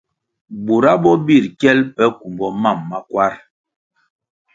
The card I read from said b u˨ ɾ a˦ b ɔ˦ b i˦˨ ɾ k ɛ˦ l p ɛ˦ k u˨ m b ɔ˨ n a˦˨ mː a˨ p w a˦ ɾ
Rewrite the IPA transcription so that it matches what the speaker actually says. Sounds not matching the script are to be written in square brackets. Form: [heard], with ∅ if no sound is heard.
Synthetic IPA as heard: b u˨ ɾ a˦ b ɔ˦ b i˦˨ ɾ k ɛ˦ l p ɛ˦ k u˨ m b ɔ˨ [m] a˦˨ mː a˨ [k] w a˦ ɾ